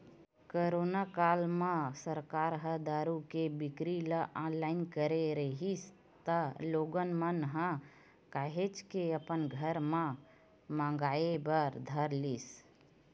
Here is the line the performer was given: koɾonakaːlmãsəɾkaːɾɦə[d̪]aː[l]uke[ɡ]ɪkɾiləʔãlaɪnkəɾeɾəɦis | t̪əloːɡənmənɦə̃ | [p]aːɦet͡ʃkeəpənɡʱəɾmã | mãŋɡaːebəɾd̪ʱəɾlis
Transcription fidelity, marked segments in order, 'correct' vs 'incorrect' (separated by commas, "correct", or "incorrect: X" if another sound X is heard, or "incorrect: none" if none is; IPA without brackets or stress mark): correct, incorrect: ɾ, incorrect: b, incorrect: k